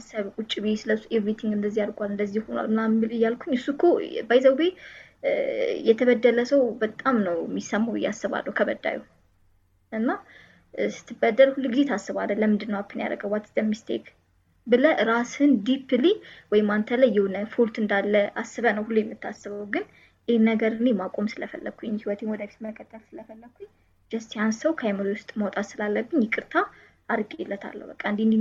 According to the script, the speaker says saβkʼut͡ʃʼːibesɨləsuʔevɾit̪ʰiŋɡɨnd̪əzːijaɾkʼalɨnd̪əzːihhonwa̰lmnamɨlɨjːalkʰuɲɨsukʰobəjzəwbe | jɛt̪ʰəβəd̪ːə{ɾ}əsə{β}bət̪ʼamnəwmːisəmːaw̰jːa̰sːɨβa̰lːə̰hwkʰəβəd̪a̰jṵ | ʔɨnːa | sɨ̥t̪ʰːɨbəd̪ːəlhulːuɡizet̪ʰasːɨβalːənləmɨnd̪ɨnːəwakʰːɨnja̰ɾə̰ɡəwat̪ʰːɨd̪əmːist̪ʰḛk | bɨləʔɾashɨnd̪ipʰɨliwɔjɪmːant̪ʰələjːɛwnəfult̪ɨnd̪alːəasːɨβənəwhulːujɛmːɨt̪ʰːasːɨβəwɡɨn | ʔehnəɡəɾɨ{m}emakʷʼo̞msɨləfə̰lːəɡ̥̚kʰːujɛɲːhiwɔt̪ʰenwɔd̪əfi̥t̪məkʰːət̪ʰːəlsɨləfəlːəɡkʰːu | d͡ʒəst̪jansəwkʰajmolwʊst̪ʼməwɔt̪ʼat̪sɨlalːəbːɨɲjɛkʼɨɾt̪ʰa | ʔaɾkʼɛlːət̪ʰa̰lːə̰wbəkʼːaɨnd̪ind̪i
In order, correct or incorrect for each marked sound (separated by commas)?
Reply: incorrect, incorrect, incorrect